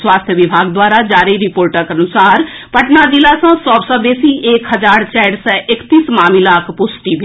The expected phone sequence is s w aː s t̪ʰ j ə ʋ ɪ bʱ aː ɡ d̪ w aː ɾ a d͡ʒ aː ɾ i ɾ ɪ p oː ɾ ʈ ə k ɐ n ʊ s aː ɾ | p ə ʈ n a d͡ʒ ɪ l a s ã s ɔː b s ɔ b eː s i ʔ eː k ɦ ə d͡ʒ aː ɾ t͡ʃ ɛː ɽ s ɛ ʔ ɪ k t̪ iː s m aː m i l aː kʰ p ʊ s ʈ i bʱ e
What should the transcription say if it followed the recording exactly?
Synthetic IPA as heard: s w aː s t̪ʰ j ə ʋ ɪ bʱ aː ɡ d̪ w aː ɾ a d͡ʒ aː ɾ i ɾ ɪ p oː ɾ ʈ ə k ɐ n ʊ s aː ɾ | p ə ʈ n a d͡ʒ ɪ l a s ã s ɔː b s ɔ b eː s i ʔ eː k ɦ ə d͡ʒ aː ɾ t͡ʃ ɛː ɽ s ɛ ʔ ɪ k t̪ iː s m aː m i l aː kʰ p ʊ s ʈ i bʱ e